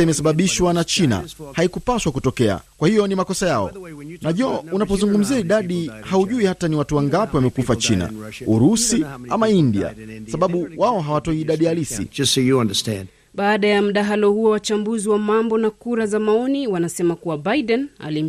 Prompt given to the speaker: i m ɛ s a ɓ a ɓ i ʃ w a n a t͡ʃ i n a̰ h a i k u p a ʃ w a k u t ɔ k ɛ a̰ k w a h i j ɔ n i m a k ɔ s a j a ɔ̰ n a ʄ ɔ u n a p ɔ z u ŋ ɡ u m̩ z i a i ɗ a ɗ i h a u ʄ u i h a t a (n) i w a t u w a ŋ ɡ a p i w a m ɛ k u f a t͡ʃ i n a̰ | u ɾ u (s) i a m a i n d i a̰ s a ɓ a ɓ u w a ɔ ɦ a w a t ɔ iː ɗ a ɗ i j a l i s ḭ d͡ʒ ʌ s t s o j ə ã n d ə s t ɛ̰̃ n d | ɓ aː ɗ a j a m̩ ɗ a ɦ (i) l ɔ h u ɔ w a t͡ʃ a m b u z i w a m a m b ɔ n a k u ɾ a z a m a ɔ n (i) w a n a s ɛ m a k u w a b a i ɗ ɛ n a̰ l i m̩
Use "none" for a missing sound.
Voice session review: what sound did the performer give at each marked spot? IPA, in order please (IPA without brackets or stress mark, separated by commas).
n, s, a, i